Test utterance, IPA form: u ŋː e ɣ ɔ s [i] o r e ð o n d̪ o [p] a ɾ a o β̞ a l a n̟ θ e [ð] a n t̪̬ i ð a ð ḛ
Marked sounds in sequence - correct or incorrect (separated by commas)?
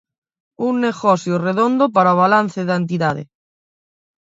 incorrect, correct, correct